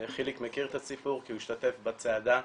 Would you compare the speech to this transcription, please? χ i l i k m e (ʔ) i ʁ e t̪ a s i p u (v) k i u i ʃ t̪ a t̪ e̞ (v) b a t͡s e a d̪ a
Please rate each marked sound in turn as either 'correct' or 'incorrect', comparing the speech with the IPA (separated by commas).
incorrect, incorrect, incorrect